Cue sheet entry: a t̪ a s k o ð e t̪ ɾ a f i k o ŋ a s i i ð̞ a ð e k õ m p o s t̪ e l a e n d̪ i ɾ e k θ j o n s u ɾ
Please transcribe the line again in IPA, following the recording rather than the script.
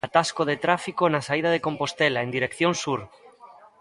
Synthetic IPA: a t̪ a s k o ð e t̪ ɾ a f i k o n a s a i ð̞ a ð e k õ m p o s t̪ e l a e n d̪ i ɾ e k θ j o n s u ɾ